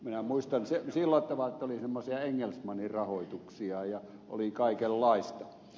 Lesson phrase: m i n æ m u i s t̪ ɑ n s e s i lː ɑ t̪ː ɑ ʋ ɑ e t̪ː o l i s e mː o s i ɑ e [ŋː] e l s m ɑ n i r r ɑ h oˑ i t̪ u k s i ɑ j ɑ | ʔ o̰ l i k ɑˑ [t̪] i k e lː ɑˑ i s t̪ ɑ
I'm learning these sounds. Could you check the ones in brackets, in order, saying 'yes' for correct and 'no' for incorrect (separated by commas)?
yes, no